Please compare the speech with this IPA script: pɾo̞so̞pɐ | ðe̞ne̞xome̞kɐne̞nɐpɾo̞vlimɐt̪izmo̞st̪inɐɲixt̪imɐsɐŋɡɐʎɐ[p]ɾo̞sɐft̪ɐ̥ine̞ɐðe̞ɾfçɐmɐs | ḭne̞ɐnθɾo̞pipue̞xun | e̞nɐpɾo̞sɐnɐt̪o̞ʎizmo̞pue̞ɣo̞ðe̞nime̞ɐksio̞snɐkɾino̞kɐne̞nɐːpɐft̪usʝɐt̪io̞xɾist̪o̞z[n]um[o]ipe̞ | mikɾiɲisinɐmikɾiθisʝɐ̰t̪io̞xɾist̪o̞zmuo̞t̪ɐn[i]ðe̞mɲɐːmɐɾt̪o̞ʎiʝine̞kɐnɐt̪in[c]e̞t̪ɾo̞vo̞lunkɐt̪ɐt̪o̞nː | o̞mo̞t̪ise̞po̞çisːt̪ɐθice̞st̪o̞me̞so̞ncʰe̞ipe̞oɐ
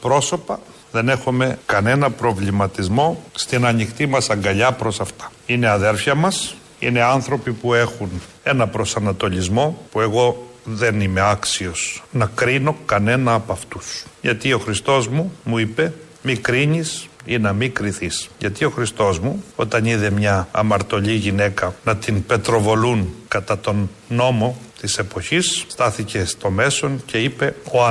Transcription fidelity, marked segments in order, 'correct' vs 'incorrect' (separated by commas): correct, incorrect, incorrect, correct, incorrect